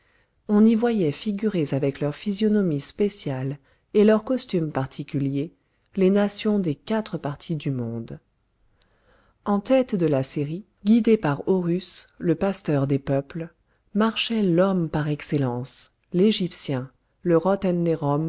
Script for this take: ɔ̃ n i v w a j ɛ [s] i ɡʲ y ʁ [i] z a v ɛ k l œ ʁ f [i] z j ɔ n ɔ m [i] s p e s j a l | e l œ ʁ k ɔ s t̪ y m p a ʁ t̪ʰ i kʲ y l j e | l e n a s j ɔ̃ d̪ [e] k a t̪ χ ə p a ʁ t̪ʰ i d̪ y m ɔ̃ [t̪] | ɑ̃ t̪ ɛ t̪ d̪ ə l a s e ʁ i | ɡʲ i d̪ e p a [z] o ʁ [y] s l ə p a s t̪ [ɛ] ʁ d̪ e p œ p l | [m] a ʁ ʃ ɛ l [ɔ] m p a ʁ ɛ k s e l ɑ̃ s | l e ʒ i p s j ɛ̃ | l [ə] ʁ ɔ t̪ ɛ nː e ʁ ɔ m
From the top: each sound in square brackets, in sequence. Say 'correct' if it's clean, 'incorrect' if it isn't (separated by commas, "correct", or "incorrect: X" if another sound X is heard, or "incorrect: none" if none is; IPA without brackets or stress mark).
incorrect: f, incorrect: e, correct, correct, correct, incorrect: d̪, incorrect: ʁ, correct, incorrect: œ, correct, correct, correct